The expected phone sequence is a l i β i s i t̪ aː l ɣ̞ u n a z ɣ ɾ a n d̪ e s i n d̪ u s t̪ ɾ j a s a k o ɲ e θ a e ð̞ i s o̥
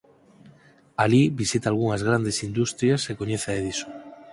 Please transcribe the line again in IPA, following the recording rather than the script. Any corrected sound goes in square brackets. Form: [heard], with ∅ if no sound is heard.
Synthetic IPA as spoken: a l i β i s i t̪ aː l ɣ̞ u [ŋ] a z ɣ ɾ a n d̪ e s i n d̪ u s t̪ ɾ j a s [e] k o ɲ e θ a e ð̞ i s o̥